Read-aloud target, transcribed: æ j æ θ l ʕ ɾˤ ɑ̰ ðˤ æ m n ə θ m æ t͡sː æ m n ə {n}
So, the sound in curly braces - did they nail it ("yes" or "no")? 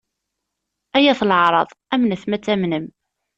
no